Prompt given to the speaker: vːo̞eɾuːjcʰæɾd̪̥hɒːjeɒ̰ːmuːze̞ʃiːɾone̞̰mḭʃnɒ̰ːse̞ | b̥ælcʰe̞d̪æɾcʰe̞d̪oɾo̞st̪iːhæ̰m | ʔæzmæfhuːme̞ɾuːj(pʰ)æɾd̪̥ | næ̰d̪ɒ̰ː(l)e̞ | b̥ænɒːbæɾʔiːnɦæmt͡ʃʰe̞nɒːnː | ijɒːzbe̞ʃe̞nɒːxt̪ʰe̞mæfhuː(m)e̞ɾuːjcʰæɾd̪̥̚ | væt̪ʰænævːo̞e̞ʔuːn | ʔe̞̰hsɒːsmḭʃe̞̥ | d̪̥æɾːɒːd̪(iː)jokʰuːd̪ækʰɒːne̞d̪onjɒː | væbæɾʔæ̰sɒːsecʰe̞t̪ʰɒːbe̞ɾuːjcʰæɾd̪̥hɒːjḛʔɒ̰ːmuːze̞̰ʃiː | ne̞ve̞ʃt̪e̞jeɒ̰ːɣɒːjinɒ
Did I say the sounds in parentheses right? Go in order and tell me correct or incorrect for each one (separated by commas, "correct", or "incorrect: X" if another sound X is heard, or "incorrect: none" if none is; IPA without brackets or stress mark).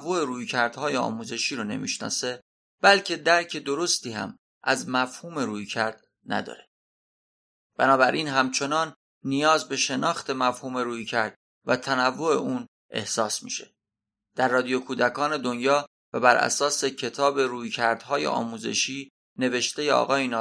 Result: incorrect: cʰ, incorrect: ɾ, correct, incorrect: i